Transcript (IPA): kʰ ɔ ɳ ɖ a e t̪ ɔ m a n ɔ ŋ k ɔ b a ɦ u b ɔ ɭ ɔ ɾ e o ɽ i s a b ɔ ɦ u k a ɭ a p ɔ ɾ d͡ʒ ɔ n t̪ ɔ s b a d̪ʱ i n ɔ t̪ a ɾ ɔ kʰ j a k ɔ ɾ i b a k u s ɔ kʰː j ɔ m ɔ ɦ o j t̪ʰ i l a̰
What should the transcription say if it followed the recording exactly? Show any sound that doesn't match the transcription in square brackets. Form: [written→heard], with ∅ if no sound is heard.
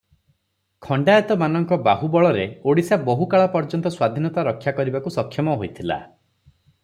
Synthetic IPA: kʰ ɔ ɳ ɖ a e t̪ ɔ m a n ɔ ŋ k ɔ b a ɦ u b ɔ ɭ ɔ ɾ e o ɽ i s a b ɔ ɦ u k a ɭ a p ɔ ɾ d͡ʒ ɔ n t̪ ɔ s [b→w] a d̪ʱ i n ɔ t̪ a ɾ ɔ kʰ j a k ɔ ɾ i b a k u s ɔ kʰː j ɔ m ɔ ɦ o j t̪ʰ i l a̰